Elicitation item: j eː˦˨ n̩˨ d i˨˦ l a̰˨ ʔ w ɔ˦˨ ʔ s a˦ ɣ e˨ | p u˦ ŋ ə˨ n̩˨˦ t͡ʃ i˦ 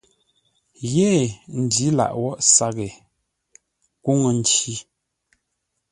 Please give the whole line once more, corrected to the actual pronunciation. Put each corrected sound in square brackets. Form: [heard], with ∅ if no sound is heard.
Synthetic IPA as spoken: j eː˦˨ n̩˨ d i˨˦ l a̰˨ ʔ w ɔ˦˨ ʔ s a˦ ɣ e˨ | [k] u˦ ŋ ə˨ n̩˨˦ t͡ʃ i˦